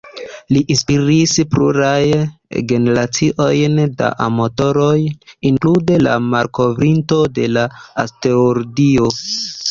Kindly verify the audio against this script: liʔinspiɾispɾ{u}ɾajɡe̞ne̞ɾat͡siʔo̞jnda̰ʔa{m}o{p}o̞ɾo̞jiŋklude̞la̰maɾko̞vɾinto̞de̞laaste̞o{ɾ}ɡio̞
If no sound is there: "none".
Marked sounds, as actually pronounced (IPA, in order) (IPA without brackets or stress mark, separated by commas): u, m, t, ɾ